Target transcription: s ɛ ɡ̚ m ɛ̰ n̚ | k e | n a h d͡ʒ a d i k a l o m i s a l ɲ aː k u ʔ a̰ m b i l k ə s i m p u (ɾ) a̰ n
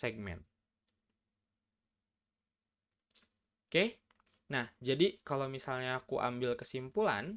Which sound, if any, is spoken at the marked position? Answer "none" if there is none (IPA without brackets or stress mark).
l